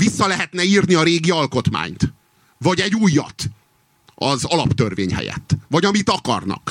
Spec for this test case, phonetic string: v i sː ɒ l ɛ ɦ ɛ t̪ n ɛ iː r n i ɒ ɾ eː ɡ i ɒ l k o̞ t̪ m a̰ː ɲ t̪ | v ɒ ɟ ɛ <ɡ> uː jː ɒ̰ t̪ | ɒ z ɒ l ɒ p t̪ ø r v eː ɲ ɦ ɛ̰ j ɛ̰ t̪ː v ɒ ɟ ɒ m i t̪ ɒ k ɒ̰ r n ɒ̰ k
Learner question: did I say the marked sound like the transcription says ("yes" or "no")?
no